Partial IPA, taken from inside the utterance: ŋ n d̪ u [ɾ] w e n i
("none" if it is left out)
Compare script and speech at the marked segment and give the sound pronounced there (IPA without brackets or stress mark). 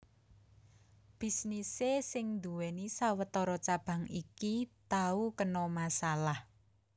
none